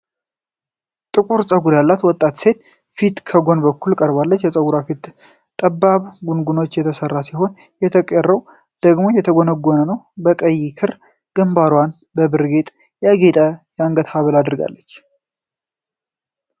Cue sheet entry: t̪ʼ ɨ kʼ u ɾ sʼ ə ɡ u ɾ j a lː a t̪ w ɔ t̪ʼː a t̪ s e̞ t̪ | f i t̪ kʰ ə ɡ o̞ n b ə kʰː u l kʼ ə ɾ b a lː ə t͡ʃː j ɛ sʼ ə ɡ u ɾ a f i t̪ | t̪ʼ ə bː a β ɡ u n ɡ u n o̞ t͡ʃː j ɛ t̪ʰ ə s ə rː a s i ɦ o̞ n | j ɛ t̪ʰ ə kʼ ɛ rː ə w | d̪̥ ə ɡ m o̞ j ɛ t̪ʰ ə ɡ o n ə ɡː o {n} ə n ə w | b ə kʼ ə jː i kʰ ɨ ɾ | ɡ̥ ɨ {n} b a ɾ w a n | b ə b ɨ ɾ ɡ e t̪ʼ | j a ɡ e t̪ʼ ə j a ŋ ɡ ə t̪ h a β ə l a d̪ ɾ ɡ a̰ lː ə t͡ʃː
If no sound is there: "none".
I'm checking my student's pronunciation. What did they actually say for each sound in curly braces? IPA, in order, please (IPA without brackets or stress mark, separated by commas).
n, m